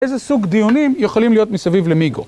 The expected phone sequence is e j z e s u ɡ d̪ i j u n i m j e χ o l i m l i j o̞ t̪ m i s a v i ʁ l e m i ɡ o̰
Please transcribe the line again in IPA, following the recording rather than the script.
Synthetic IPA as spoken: e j z e s u ɡ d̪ i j u n i m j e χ o l i m l i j o̞ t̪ m i s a v i v l e m i ɡ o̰